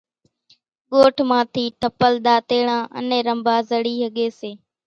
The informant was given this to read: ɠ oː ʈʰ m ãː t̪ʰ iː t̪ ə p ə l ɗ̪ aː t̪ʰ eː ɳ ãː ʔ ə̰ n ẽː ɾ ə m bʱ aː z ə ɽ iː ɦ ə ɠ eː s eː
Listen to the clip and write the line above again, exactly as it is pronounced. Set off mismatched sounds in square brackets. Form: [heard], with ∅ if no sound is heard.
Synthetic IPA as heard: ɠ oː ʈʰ m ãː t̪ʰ iː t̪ ə p ə l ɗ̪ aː [t̪] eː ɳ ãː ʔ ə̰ n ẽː ɾ ə m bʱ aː z ə ɽ iː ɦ ə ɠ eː s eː